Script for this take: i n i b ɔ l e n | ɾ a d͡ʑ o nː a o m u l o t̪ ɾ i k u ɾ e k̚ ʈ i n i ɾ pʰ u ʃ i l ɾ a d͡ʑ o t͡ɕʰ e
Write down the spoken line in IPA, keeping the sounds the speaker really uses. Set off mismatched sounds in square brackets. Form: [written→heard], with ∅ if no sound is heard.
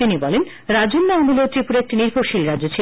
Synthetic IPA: i n i b ɔ l e n | ɾ a d͡ʑ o nː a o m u l o t̪ ɾ i [k→p] u ɾ e k̚ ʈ i n i ɾ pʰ [u→o] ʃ i l ɾ a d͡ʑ o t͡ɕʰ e